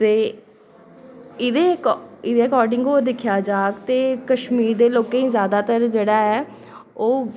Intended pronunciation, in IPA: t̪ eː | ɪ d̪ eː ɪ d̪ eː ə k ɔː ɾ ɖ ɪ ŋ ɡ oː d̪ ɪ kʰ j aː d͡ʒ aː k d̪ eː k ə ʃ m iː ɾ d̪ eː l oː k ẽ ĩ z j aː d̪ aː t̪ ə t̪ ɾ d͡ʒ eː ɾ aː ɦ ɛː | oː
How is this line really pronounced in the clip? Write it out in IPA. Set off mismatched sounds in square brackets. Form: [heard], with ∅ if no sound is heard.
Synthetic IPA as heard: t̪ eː | ɪ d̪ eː ɪ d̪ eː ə k ɔː ɾ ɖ ɪ ŋ ɡ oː d̪ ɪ kʰ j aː d͡ʒ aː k [t̪] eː k ə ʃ m iː ɾ d̪ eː l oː k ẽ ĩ z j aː d̪ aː t̪ ə [∅] ɾ d͡ʒ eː [ɽ] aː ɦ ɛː | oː